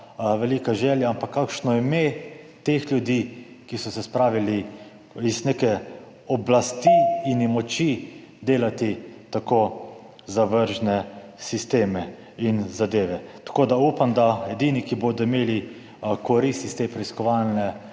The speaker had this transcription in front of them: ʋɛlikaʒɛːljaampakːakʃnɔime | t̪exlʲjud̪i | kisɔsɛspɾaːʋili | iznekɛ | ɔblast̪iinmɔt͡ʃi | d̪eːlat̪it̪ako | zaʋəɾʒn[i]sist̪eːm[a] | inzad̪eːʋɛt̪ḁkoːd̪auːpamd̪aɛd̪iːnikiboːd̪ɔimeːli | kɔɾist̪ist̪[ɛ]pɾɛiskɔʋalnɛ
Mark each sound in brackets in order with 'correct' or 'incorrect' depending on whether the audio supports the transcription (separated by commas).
incorrect, incorrect, incorrect